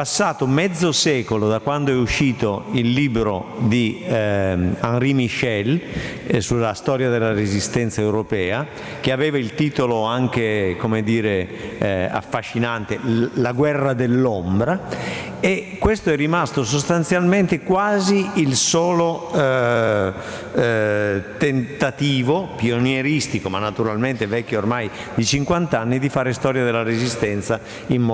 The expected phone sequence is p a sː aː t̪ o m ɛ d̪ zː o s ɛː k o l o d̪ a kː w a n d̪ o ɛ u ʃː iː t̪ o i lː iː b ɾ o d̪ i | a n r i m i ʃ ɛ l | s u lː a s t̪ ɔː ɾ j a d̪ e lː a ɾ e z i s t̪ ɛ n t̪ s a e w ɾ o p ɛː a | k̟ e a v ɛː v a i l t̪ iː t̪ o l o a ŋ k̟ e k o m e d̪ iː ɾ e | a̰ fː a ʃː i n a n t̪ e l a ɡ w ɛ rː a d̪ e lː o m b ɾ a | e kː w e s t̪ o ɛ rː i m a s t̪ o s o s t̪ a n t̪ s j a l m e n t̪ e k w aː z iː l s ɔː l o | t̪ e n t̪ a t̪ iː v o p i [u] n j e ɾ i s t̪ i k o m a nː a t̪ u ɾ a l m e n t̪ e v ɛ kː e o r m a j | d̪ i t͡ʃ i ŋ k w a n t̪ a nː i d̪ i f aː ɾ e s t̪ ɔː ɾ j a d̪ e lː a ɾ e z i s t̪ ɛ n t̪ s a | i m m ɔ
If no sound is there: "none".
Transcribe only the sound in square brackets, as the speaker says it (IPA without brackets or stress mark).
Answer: o